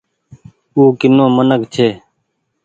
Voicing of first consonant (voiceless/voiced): voiceless